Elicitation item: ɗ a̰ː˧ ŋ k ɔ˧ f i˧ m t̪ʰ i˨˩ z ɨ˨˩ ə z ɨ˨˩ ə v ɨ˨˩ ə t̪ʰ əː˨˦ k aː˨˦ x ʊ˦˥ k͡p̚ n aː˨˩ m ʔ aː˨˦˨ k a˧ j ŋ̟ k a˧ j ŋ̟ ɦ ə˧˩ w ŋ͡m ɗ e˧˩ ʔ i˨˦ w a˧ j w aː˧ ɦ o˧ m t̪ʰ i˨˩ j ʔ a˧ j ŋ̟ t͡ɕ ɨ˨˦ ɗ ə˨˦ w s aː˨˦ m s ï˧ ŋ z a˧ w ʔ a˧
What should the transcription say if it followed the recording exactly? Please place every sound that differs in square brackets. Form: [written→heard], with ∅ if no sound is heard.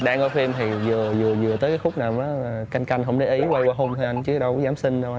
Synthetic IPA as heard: ɗ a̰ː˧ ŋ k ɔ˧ f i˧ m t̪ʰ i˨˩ z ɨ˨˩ ə z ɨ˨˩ ə [v→z] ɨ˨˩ ə [t̪ʰ→t̪] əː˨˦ k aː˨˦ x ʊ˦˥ k͡p̚ n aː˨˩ m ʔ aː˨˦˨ k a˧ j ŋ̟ k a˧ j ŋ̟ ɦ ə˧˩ w ŋ͡m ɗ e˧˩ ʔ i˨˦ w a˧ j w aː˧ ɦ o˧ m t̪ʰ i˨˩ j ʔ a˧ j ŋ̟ t͡ɕ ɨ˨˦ ɗ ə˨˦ w [s→z] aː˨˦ m s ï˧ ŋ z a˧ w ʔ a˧